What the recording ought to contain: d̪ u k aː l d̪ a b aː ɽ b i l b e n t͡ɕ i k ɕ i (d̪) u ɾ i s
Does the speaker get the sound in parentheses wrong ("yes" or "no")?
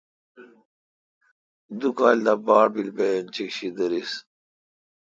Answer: no